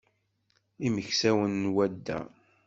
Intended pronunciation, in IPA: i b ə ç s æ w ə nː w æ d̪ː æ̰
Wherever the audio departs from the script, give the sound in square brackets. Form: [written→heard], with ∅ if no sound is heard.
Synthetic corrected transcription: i [b→m] ə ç s æ w ə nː w æ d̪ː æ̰